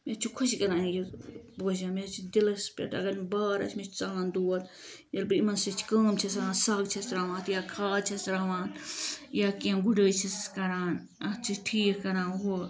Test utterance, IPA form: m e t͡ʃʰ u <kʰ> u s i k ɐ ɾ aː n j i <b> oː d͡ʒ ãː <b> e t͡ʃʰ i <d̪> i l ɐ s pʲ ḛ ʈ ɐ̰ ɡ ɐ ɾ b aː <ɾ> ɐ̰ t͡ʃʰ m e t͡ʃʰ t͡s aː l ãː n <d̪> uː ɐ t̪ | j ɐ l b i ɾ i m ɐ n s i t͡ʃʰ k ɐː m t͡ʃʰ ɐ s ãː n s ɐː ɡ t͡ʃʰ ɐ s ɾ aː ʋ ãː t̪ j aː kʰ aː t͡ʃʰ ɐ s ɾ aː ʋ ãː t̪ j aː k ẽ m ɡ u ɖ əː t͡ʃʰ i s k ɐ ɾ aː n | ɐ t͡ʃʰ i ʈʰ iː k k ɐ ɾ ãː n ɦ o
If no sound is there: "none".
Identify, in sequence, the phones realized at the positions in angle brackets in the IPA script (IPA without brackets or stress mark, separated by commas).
kʰ, b, m, d̪, ɾ, d̪